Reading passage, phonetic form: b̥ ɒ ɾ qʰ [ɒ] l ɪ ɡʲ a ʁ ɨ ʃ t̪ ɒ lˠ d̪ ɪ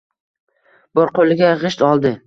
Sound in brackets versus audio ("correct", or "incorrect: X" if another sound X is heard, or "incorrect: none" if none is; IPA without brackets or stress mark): incorrect: o